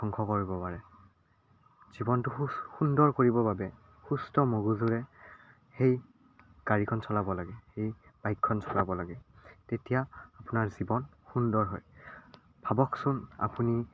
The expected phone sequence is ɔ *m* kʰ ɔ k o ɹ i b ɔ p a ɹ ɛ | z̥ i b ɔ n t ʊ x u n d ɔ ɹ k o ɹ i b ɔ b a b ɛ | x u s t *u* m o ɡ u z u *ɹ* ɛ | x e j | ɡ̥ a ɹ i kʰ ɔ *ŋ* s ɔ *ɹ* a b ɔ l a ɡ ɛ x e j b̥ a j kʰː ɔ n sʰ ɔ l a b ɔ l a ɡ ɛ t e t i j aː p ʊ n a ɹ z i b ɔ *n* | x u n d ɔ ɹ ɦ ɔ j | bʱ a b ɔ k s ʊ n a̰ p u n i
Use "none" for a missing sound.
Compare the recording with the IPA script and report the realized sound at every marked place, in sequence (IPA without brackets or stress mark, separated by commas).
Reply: ŋ, ɔ, ɹ, n, l, n